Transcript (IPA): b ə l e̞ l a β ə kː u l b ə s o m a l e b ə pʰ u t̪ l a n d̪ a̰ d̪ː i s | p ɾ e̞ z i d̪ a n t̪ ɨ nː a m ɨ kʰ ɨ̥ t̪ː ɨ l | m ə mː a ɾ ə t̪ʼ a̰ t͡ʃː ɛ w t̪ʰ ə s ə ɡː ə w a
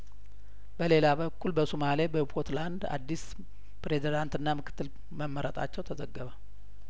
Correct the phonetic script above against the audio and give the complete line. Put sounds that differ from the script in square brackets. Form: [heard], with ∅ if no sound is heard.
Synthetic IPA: b ə l e̞ l a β ə kː u l b ə s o m a l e b ə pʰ [o] t̪ l a n d̪ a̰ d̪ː i s | p ɾ e̞ z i d̪ a n t̪ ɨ nː a m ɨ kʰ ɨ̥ t̪ː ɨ l | m ə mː [ə] ɾ ə t̪ʼ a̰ t͡ʃː ɛ w t̪ʰ ə [z] ə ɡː ə [β] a